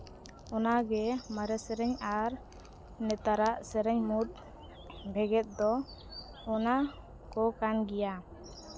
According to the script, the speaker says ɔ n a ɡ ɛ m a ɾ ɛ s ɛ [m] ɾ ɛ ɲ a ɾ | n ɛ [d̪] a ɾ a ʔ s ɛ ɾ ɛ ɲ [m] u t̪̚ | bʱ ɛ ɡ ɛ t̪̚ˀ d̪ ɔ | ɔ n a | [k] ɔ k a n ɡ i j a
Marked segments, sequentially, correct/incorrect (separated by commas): incorrect, incorrect, correct, correct